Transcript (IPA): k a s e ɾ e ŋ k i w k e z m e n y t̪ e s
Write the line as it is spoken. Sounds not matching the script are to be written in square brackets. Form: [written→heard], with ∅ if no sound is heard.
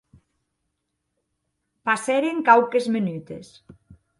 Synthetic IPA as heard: [k→p] a s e ɾ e ŋ k [i→a] w k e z m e n y t̪ e s